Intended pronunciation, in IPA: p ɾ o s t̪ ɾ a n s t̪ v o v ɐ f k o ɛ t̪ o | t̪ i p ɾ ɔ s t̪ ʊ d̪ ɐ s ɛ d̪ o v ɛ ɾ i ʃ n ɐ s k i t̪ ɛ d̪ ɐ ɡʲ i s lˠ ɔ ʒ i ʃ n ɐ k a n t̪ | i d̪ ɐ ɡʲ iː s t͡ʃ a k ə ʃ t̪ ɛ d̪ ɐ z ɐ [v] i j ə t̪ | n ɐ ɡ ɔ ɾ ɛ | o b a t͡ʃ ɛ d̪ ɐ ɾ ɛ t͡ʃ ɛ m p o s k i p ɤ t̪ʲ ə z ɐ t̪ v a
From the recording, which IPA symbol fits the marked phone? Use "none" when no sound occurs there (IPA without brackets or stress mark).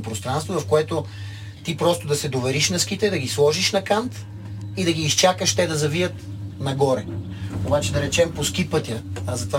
v